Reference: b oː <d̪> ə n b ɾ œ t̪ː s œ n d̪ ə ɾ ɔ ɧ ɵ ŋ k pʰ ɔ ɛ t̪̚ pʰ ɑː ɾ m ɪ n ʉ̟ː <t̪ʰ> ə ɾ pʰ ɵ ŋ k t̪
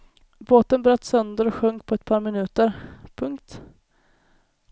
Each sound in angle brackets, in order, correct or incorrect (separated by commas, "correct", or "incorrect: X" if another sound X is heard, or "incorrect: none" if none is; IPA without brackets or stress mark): incorrect: t̪, incorrect: t̪